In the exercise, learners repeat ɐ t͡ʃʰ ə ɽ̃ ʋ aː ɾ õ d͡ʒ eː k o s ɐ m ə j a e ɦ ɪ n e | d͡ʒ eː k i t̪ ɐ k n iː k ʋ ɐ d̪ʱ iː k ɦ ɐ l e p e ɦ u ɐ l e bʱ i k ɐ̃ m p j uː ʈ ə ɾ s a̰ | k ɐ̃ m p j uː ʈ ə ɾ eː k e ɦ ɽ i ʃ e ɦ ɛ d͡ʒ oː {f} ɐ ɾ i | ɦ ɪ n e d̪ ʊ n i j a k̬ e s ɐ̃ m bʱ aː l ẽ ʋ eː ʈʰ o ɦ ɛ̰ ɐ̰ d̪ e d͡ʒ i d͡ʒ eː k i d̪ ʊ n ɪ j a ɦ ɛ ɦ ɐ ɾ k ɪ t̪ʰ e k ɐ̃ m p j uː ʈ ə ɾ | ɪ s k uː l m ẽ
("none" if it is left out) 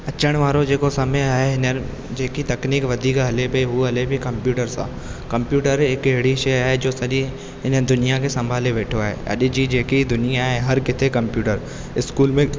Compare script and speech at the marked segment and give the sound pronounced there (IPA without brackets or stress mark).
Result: s